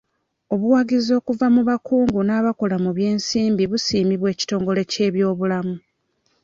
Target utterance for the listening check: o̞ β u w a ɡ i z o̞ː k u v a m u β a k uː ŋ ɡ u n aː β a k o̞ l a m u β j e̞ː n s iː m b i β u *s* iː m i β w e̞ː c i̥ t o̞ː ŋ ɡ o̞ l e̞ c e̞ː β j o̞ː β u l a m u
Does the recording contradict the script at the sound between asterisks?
no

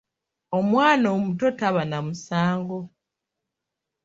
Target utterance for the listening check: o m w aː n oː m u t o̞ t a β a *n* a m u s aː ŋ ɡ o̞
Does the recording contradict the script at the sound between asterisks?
no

